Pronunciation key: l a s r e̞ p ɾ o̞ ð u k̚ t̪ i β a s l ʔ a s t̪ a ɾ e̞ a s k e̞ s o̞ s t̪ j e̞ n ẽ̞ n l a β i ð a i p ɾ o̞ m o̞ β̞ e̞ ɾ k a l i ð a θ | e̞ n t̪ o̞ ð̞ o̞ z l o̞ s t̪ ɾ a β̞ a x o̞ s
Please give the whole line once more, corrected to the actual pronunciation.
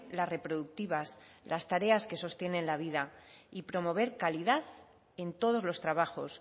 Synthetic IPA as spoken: l a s r e̞ p ɾ o̞ ð u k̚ t̪ i β a s l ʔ a s t̪ a ɾ e̞ a s k e̞ s o̞ s t̪ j e̞ n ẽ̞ n l a β i ð a i p ɾ o̞ m o̞ β̞ e̞ ɾ k a l i ð a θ | e̞ n t̪ o̞ ð̞ o̞ z l o̞ s t̪ ɾ a β̞ a x o̞ s